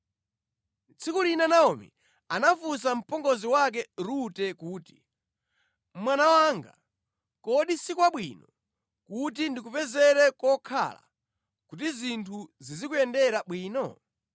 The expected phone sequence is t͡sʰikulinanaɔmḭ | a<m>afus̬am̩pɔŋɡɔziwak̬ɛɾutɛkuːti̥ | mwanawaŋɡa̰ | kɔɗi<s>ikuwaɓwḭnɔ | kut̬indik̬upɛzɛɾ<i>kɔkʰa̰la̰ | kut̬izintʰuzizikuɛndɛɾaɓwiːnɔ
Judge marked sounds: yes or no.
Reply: no, yes, no

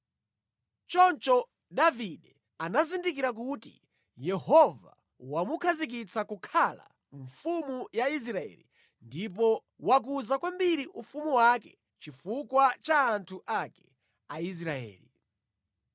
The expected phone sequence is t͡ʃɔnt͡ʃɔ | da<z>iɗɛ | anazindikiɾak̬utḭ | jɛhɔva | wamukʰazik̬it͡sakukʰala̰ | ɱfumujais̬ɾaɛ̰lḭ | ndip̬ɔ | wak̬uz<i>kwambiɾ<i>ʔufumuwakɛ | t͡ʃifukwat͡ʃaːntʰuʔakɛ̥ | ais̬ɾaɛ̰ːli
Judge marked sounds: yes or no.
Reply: no, no, yes

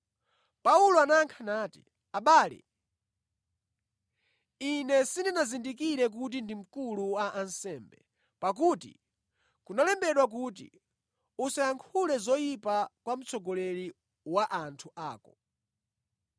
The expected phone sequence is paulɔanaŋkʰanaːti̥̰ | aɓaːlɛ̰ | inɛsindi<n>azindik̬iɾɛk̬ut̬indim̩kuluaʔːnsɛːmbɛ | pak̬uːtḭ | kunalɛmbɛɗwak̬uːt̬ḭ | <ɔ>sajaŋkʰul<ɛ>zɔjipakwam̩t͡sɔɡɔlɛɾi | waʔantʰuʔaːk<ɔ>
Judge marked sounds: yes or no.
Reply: yes, no, yes, yes

